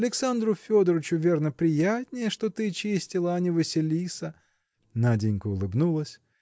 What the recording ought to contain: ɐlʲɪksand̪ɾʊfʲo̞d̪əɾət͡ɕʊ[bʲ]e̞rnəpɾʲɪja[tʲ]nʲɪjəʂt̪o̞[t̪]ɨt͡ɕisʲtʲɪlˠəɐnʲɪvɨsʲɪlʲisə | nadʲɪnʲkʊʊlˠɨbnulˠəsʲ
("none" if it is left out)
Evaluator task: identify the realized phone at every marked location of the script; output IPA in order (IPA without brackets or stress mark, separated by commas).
vʲ, tʲ, t̪